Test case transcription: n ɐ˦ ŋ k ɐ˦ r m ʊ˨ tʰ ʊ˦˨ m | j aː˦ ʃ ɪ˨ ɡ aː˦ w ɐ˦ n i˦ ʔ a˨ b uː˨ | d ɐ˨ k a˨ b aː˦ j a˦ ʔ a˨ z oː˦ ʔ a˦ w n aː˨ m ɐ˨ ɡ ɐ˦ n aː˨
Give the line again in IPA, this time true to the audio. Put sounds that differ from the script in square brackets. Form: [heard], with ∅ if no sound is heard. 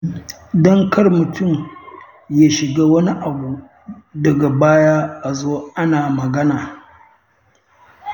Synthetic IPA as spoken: [d] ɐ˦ ŋ k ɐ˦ r m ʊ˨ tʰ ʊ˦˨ m | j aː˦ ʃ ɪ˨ ɡ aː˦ w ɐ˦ n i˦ ʔ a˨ b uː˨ | d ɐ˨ [ɡ] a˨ b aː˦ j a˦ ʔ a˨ z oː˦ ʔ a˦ [∅] n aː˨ m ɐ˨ ɡ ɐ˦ n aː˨

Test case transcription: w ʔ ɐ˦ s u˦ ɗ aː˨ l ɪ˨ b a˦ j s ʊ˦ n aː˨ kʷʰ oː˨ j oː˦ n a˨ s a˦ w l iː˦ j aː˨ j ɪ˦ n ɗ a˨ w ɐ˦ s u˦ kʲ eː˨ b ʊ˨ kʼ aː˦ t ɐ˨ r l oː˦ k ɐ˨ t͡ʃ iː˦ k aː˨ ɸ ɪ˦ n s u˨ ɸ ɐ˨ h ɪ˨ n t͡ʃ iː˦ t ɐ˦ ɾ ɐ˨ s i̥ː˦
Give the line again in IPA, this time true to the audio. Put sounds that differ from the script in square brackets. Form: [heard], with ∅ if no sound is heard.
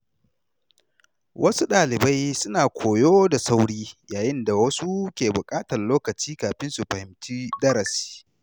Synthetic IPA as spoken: w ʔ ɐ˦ s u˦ ɗ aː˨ l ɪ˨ b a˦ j s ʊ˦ n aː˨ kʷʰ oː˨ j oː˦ [d] a˨ s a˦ w [ɽ] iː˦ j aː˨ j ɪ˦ n [d] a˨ w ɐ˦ s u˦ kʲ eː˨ b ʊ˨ kʼ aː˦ t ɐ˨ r l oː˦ k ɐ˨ t͡ʃ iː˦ k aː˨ ɸ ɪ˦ n s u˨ ɸ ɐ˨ h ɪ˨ [m] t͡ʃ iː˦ [d] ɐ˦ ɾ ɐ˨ s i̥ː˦

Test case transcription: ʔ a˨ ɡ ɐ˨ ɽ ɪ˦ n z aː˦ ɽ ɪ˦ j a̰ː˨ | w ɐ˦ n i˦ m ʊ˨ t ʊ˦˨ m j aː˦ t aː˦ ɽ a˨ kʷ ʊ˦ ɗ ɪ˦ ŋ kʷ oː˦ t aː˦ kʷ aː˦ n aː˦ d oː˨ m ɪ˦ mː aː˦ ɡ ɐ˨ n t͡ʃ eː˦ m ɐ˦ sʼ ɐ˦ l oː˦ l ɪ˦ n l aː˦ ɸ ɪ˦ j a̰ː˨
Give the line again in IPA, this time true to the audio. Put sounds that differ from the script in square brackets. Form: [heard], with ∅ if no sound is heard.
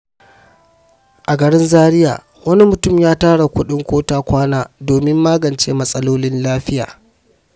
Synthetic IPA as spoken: ʔ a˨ ɡ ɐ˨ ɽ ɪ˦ n z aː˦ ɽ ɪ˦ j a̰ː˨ | w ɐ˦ n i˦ m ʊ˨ t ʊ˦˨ m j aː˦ t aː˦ ɽ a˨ kʷ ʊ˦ ɗ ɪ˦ ŋ kʷ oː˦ t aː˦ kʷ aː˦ n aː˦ d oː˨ m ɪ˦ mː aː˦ ɡ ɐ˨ n t͡ʃ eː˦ m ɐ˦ sʼ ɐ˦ l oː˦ l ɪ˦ n l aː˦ ɸ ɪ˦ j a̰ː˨

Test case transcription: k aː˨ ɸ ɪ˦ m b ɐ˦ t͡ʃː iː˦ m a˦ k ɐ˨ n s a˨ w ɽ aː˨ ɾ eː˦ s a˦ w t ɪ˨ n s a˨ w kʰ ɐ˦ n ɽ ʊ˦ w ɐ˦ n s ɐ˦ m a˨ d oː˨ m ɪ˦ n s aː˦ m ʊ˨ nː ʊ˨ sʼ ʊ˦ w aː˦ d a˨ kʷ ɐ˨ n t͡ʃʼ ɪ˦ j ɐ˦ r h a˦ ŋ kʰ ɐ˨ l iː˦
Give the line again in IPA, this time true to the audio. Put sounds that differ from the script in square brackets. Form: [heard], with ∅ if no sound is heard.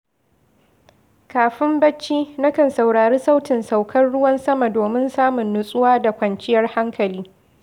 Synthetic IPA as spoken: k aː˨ ɸ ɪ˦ m b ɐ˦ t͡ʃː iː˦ [n] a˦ k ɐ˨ n s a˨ w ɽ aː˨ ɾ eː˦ s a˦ w t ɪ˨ n s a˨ w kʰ ɐ˦ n ɽ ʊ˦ w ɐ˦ n s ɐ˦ m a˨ d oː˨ m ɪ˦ n s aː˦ m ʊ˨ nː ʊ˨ sʼ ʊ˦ w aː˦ d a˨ kʷ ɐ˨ n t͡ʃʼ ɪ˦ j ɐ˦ r h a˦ ŋ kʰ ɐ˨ l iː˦

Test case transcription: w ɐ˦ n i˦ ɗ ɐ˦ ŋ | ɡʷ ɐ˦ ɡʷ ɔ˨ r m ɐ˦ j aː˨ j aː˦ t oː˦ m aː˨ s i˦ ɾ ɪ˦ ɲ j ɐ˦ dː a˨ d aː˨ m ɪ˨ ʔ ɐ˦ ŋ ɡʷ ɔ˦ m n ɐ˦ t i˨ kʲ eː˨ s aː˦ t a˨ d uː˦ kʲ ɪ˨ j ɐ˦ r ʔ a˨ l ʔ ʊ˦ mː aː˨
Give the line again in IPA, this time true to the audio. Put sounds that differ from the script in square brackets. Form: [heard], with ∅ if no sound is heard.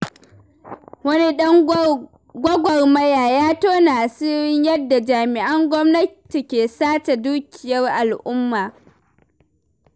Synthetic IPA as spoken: w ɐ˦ n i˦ ɗ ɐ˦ ŋ | ɡʷ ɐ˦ ɡʷ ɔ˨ r m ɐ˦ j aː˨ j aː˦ t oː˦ [n] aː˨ s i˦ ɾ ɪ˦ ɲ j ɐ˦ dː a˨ [d͡ʒ] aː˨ m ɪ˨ ʔ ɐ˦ ŋ ɡʷ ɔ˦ m n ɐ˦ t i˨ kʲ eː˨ s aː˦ t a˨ d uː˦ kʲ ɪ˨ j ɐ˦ r ʔ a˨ l ʔ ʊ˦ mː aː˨

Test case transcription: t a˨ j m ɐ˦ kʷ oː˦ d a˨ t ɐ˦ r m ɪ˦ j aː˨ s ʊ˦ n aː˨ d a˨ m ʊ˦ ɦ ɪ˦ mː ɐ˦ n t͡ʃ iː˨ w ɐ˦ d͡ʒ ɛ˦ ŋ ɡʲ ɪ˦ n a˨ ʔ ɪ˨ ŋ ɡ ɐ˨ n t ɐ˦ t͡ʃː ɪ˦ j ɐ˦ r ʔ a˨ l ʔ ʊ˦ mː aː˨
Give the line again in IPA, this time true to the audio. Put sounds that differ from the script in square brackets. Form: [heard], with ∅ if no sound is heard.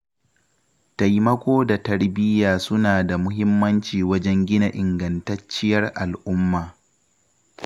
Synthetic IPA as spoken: t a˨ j m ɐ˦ kʷ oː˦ d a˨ t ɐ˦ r [b] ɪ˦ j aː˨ s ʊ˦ n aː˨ d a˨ m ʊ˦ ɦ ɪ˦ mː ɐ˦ n t͡ʃ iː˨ w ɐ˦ d͡ʒ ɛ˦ ŋ ɡʲ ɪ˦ n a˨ ʔ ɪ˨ ŋ ɡ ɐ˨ n t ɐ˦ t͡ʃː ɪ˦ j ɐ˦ r ʔ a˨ l ʔ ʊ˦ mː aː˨

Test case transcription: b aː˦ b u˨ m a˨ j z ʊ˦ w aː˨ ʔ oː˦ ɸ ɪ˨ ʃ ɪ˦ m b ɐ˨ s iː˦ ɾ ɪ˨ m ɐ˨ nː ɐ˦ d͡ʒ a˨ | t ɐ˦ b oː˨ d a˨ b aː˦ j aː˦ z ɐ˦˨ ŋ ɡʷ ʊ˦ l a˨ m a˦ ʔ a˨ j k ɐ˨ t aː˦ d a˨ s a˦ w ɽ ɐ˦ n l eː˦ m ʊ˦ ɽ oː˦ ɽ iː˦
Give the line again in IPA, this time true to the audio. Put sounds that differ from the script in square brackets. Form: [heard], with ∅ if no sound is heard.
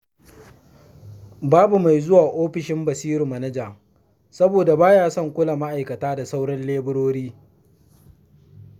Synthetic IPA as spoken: b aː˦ b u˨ m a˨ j z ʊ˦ w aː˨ ʔ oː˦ ɸ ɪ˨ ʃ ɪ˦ m b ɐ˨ s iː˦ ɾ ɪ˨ m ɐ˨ [n] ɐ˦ d͡ʒ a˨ | [s] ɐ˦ b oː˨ d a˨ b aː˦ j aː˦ [s] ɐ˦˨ ŋ [kʷ] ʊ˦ l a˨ m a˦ ʔ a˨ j k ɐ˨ t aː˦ d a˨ s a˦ w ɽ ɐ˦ n l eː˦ [b] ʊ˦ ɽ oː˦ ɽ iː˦

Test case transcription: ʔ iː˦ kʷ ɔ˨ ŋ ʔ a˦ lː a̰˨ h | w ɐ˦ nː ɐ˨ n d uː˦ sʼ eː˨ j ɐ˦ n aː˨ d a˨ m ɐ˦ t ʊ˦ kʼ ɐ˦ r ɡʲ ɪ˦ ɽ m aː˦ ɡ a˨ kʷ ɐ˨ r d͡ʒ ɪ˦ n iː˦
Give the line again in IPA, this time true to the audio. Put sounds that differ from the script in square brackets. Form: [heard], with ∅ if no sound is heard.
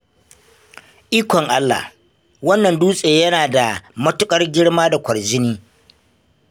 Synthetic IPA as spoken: ʔ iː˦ kʷ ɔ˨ ŋ ʔ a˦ lː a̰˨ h | w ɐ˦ nː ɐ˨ n d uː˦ sʼ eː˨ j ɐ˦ n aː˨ d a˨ m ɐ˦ t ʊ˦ kʼ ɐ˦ r ɡʲ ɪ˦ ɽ m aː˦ [d] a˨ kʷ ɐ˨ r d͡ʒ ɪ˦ n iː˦

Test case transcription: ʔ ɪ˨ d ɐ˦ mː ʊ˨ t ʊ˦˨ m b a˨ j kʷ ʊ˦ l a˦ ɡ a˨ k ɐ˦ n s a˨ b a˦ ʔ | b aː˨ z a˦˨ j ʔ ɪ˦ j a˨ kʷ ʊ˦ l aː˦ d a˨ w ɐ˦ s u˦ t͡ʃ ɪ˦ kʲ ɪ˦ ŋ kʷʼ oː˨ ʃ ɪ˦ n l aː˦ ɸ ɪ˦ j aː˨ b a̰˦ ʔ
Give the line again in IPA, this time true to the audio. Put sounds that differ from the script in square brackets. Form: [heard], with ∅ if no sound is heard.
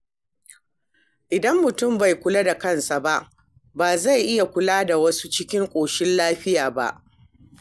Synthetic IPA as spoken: ʔ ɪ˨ d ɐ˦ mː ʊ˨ t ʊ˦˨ m b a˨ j kʷ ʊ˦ l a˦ [d] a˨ k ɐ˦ n s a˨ b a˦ ʔ | b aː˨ z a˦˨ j ʔ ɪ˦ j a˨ kʷ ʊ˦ l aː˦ d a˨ w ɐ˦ s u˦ t͡ʃ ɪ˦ kʲ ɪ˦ ŋ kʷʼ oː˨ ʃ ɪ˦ n l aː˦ ɸ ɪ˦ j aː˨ b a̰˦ ʔ

